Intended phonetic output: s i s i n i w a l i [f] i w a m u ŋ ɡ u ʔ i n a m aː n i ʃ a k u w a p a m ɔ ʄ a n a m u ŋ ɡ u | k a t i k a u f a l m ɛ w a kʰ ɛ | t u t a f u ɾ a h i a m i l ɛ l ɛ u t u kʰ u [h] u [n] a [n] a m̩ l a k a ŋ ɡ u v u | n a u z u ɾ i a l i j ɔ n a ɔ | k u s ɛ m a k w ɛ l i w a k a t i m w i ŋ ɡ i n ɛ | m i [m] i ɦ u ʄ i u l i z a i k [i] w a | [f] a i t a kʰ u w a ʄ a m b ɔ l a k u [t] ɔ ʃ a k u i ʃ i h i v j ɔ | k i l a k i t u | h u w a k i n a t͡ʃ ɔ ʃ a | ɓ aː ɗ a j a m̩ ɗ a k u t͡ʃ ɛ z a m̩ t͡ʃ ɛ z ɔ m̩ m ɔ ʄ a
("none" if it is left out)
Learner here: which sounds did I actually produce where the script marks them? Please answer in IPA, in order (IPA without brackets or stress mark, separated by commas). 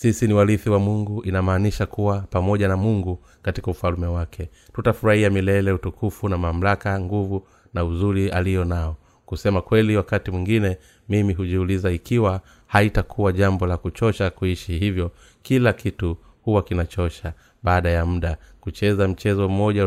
θ, f, n, m, m, i, h, t͡ʃ